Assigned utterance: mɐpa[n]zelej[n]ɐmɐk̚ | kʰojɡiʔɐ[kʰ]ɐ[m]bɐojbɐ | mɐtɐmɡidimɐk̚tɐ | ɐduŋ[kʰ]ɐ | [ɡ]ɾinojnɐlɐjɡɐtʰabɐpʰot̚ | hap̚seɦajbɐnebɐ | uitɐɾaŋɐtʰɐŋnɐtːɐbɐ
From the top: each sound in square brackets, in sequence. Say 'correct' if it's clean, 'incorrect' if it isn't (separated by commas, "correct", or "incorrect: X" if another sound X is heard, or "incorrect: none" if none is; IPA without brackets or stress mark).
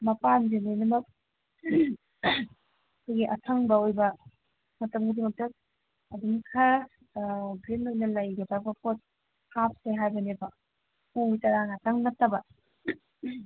correct, correct, incorrect: tʰ, incorrect: ŋ, correct, correct